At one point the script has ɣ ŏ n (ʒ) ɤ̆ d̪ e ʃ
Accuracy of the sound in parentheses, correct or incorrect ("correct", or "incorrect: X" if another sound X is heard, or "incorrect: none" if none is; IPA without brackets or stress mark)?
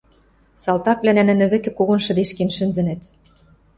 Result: incorrect: ʃ